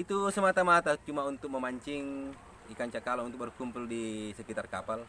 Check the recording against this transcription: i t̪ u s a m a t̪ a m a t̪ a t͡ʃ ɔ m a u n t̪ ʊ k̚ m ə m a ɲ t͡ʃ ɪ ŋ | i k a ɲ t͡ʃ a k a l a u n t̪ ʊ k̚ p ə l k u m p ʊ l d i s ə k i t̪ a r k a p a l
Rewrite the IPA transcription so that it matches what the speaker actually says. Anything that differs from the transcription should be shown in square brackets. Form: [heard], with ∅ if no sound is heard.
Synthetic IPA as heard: i t̪ u s [ə] m a t̪ a m a t̪ a t͡ʃ [u] m a u n t̪ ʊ k̚ m ə m a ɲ t͡ʃ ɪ ŋ | i k a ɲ t͡ʃ a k a l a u n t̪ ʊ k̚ [b] ə [r] k u m p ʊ l d i s ə k i t̪ a r k a p a l

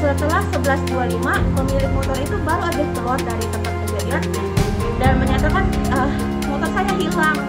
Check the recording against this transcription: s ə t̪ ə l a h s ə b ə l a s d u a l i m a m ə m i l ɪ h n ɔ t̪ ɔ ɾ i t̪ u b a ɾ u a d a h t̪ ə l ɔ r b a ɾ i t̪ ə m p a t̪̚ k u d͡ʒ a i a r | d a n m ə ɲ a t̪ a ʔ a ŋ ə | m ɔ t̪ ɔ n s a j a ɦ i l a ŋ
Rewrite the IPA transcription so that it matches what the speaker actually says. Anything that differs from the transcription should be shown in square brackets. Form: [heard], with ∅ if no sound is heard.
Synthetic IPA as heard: s ə t̪ ə l a h s ə b ə l a s d u a l i m a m ə m i l ɪ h [m] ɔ t̪ ɔ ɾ i t̪ u b a ɾ u a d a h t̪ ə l ɔ r [d] a ɾ i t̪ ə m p a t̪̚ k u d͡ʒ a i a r | d a n m ə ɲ a t̪ a [k] a [n] ə | m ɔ t̪ ɔ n s a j a ɦ i l a ŋ

